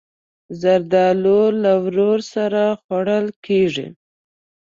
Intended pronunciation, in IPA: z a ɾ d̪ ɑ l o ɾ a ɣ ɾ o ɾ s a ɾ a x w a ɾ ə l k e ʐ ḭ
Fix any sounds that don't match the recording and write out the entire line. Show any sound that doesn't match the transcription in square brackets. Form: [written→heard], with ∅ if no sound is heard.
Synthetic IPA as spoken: z a ɾ d̪ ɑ l o [ɾ→l] a [ɣ→w] ɾ o ɾ s a ɾ a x w a [ɾ→ɽ] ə l k e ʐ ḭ

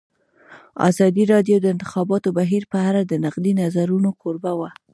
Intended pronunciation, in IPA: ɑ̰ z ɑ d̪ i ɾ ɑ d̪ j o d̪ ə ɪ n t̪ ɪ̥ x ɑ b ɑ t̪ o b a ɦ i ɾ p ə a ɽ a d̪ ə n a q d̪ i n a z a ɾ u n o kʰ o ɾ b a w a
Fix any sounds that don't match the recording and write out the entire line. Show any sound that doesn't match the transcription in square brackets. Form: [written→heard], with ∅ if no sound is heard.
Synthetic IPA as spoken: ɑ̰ z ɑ d̪ i ɾ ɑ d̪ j o d̪ ə ɪ n t̪ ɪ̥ x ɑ b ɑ t̪ o b a ɦ i ɾ p ə a [ɽ→ɾ] a d̪ ə n a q d̪ i n a z a ɾ u n o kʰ o ɾ b a w a

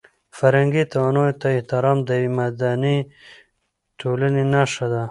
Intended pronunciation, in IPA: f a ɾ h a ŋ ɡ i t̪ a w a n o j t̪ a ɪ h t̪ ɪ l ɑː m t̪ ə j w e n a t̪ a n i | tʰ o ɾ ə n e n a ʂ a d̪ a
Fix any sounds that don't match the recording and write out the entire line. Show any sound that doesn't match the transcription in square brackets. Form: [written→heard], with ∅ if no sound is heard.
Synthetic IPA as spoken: f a ɾ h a ŋ ɡ i t̪ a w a n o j t̪ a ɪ h t̪ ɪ [l→ɾ] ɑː m [t̪→d̪] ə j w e [n→m] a [t̪→d̪] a n i | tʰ o [ɾ→l] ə n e n a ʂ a d̪ a

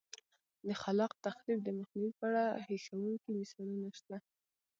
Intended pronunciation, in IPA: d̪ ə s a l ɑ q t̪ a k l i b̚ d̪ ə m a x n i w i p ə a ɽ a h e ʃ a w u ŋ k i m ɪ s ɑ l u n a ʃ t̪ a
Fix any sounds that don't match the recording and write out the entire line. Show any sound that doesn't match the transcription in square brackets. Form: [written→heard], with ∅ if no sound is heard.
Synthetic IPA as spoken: d̪ ə [s→x] a l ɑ q t̪ a [k→x] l i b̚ d̪ ə m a x n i w i p ə a ɽ a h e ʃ a w u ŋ k i m ɪ s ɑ l u n a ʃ t̪ a

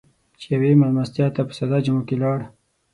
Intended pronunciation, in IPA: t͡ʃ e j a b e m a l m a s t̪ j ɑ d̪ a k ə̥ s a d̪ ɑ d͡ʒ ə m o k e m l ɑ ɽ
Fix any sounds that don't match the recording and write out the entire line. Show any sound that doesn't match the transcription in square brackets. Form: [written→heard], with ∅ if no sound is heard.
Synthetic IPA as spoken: t͡ʃ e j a [b→w] e m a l m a s t̪ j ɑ [d̪→t̪] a [k→p] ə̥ s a d̪ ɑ d͡ʒ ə m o k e [m→∅] l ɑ ɽ

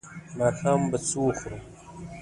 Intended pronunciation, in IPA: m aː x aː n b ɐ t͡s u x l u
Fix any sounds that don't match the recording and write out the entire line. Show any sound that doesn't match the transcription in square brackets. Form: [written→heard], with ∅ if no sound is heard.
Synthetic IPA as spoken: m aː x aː [n→m] b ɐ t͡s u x [l→ɾ] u

